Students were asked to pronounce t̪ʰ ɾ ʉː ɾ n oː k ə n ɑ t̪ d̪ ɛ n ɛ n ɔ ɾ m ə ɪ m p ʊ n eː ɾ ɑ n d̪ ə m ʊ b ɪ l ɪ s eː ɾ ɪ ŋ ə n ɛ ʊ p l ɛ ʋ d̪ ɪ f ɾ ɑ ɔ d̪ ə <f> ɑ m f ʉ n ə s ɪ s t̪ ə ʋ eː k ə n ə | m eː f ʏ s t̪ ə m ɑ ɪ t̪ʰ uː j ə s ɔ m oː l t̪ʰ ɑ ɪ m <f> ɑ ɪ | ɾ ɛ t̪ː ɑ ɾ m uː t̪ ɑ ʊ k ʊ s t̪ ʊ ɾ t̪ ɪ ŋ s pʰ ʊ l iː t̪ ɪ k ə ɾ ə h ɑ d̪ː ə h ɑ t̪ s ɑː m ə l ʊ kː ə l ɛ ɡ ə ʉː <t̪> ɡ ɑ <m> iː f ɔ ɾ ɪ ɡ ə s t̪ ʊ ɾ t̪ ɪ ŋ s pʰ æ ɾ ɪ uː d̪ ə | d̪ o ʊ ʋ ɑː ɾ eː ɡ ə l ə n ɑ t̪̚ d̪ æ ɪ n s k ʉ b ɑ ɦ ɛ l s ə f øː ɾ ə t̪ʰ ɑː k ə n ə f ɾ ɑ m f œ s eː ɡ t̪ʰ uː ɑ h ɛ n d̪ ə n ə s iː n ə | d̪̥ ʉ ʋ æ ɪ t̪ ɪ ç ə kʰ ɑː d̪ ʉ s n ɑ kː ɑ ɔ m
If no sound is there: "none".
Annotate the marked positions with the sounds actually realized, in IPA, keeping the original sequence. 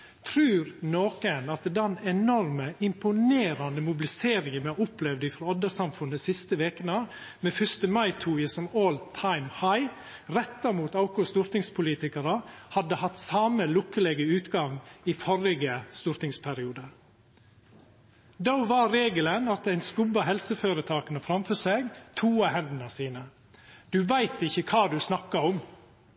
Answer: s, h, t̪, ŋ

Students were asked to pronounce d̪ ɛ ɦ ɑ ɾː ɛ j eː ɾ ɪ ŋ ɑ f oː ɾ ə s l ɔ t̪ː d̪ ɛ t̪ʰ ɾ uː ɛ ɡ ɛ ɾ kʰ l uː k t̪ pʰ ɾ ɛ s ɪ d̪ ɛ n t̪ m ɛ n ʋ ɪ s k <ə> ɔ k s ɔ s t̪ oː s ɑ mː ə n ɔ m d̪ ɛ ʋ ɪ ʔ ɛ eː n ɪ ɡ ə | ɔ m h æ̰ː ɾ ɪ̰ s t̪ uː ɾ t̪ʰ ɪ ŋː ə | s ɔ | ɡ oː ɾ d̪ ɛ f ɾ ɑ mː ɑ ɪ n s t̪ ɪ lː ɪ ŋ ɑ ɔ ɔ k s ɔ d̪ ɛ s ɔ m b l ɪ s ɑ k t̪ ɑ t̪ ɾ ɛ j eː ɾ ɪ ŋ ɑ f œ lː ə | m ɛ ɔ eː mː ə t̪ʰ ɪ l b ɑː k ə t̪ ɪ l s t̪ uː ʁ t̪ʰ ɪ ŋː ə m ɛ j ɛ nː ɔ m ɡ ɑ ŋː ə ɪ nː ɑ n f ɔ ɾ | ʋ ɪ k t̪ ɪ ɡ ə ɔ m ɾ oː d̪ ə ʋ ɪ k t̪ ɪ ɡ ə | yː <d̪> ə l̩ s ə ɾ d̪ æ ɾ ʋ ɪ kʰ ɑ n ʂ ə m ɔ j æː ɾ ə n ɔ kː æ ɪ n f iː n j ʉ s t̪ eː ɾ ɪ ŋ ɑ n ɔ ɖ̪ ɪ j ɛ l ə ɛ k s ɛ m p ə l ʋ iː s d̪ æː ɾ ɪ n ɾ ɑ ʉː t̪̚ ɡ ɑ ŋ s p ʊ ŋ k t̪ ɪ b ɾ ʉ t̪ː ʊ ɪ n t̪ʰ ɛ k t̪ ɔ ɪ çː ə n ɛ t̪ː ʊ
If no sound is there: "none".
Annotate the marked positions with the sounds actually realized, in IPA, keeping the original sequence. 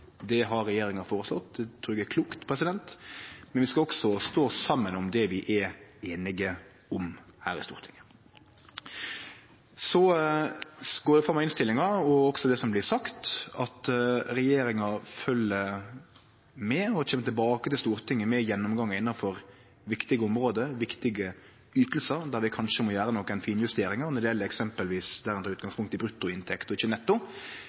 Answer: ɑ, t̪

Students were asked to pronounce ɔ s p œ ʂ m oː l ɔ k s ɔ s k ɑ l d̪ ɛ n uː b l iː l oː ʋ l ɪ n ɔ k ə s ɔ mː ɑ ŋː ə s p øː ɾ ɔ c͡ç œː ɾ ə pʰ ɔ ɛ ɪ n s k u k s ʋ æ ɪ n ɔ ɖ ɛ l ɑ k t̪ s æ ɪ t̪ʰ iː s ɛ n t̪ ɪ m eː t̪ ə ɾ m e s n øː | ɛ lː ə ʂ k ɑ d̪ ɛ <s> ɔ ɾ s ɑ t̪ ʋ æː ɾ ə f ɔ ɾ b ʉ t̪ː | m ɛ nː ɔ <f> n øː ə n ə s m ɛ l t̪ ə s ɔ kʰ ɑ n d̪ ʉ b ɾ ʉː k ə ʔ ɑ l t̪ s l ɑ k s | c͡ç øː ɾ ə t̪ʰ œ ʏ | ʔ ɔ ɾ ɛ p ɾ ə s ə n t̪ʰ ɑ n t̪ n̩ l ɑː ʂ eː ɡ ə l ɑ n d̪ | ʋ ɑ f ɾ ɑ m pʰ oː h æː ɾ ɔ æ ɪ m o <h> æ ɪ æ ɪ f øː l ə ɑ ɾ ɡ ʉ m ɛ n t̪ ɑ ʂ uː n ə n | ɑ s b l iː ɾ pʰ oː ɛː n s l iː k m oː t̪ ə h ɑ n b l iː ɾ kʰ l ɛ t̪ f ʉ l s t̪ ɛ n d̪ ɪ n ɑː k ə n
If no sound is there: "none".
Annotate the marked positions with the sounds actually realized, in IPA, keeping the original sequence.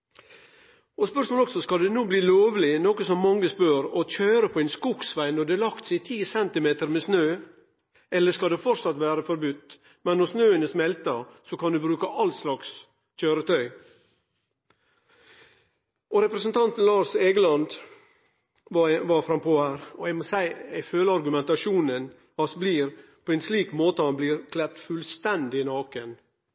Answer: f, s, s

